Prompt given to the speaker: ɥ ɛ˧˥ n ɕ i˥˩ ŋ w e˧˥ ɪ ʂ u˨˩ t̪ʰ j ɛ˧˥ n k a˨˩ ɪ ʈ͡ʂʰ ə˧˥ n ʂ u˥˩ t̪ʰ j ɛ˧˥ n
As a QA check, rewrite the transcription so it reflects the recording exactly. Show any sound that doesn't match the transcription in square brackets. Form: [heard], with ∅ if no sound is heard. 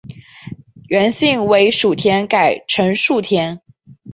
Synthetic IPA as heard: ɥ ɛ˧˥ n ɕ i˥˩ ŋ w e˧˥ ɪ ʂ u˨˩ t̪ʰ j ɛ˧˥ n k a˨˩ ɪ ʈ͡ʂʰ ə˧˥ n ʂ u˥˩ t̪ʰ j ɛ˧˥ n